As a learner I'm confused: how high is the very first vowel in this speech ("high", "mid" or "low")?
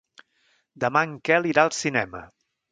mid